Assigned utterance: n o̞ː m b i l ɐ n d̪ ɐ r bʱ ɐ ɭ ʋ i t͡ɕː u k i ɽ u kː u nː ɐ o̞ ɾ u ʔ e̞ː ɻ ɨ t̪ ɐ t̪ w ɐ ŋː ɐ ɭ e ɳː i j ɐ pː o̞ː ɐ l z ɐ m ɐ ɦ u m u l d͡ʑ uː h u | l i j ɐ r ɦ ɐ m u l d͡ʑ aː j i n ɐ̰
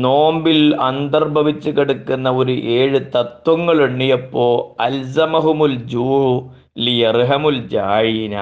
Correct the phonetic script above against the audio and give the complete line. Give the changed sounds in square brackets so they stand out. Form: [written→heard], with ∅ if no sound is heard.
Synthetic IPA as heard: n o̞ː m b i l ɐ n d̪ ɐ r bʱ ɐ [ɭ→∅] ʋ i t͡ɕː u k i ɽ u kː u nː ɐ o̞ ɾ u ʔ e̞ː ɻ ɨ t̪ ɐ t̪ w ɐ ŋː ɐ ɭ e ɳː i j ɐ pː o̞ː ɐ l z ɐ m ɐ ɦ u m u l d͡ʑ uː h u | l i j ɐ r ɦ ɐ m u l d͡ʑ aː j i n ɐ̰